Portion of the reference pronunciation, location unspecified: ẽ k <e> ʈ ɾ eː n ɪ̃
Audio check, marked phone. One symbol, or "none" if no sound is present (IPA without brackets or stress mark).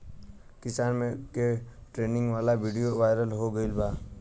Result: e